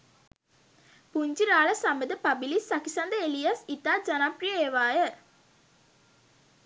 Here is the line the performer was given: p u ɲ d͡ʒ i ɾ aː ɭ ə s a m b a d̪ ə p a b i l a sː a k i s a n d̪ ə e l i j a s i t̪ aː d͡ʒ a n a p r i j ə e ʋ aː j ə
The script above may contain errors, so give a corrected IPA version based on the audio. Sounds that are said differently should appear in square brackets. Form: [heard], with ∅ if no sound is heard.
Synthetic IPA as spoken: p u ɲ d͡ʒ i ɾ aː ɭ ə s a m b [ə] d̪ ə p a b i l [i] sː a k i s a n d̪ ə e l i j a s i t̪ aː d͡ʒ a n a p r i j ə e ʋ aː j ə

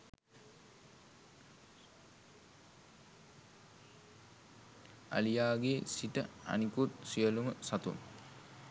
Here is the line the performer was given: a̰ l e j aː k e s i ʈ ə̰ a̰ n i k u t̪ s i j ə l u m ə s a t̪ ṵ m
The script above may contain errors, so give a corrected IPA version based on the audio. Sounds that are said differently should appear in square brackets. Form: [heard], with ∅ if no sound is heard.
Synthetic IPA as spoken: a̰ l [i] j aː [ɡ] e s i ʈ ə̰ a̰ n i k u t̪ s i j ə l u m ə s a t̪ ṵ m

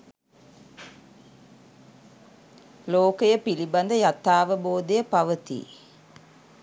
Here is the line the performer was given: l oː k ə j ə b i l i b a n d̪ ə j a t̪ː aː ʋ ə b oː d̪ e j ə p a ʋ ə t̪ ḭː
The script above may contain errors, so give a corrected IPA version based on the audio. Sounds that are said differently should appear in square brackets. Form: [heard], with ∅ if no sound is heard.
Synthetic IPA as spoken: l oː k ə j ə [p] i l i b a n d̪ ə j a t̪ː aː ʋ ə b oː d̪ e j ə p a ʋ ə t̪ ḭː

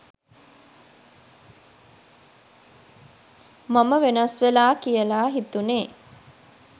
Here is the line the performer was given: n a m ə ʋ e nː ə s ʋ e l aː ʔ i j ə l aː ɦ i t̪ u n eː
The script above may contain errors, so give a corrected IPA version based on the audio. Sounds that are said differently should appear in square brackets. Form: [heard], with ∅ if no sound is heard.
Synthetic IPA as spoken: [m] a m ə ʋ e [n] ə s ʋ e l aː [k] i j ə l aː ɦ i t̪ u n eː

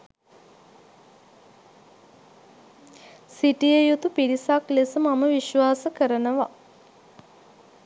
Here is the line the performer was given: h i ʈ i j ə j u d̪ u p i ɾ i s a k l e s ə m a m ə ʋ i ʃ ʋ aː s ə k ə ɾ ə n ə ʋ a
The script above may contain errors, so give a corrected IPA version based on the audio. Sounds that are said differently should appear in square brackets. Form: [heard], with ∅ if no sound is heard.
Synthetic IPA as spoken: [s] i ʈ i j ə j u [t̪] u p i ɾ i s a k l e s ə m a m ə ʋ i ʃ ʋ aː s ə k ə ɾ ə n ə ʋ a

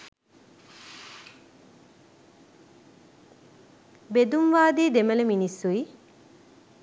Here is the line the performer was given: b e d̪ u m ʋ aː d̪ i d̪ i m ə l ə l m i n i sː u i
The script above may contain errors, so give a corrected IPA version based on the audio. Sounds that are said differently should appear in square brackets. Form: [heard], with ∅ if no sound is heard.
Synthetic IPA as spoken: b e d̪ u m ʋ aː d̪ [iː] d̪ [e] m ə l ə [∅] m i n i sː u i

